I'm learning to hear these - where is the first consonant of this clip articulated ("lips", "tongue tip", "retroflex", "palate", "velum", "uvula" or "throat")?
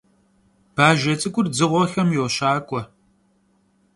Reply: lips